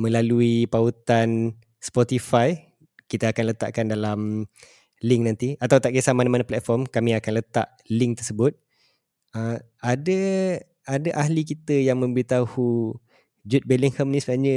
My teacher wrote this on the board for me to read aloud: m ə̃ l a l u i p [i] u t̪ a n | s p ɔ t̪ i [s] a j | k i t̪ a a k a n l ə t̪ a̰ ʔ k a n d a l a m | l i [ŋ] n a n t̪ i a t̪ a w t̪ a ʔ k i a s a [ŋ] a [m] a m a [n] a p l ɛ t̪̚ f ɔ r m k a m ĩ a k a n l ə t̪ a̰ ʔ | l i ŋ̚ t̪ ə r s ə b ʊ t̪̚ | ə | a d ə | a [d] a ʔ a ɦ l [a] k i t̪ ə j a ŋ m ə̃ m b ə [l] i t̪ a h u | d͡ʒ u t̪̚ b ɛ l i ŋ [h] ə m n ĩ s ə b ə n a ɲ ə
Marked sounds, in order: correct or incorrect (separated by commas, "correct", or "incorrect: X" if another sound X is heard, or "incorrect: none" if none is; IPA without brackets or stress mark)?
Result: incorrect: a, incorrect: f, correct, incorrect: m, incorrect: n, correct, correct, incorrect: i, incorrect: ɾ, correct